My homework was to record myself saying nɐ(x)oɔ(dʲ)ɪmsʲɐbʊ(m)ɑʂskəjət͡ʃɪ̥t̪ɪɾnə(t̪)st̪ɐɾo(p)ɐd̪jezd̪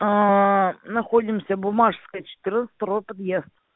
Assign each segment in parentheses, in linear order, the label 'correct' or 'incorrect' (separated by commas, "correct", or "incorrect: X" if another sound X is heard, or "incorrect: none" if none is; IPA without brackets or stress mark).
correct, correct, correct, correct, correct